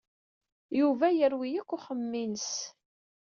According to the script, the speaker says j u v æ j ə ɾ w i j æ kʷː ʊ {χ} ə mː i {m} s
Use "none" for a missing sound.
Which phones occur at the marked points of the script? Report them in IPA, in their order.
χ, n

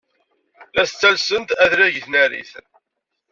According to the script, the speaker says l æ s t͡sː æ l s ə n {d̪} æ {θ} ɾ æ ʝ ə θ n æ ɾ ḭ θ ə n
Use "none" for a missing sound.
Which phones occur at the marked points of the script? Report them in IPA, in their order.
t̪, ð

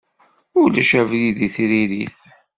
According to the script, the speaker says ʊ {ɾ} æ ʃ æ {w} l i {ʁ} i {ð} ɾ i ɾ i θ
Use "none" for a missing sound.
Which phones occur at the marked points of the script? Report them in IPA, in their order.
l, v, ð, θ

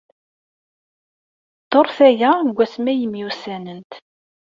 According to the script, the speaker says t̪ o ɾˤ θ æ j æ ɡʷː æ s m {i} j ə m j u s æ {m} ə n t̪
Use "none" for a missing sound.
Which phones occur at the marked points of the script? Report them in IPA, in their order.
æ, n

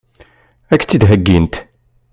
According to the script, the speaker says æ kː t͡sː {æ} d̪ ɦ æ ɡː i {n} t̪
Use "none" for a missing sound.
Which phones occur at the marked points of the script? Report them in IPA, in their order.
i, n

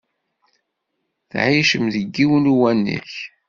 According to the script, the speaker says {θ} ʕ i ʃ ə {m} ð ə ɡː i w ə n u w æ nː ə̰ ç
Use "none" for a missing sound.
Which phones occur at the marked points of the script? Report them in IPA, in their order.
θ, m

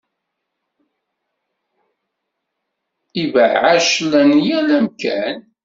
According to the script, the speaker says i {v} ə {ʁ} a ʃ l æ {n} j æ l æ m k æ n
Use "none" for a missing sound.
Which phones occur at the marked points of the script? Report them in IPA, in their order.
v, ʕ, n

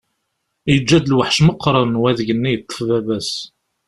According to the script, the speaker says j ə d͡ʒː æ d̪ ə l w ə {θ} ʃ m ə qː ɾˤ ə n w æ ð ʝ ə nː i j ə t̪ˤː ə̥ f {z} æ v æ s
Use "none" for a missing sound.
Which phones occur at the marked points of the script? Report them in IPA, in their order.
ħ, v

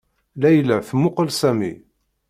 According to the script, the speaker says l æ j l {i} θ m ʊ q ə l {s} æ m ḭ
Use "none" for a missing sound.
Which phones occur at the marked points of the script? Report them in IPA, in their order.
æ, s

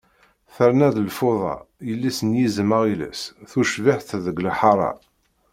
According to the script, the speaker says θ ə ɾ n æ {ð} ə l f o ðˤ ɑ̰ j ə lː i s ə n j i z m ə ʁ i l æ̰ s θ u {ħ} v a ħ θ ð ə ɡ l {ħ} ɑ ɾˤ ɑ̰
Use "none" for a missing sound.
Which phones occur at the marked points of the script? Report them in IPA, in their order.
ð, ʃ, ħ

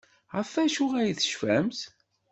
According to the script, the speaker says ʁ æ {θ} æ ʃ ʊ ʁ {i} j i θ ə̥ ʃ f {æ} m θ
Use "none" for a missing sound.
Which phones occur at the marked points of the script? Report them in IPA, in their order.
f, æ, æ

